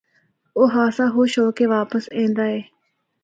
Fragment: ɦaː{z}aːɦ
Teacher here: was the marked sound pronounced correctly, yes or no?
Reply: no